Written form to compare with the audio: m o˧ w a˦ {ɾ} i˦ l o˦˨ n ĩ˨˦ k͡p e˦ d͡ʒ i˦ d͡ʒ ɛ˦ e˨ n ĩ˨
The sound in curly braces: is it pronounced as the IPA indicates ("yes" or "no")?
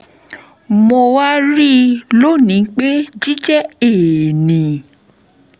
yes